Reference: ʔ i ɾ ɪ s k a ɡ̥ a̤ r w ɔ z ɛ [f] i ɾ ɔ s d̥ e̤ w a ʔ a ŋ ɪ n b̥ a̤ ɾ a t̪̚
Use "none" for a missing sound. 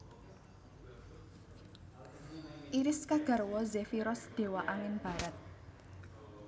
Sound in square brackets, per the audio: f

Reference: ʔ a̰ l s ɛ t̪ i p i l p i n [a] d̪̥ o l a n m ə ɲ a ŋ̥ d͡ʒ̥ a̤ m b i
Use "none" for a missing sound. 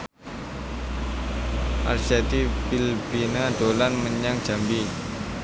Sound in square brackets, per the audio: a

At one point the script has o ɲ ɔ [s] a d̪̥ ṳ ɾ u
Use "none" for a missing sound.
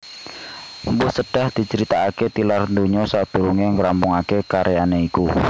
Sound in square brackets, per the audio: s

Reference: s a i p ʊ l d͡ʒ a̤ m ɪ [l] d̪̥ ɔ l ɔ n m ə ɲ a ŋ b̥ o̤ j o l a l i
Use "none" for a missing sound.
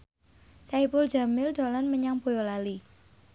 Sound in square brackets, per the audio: l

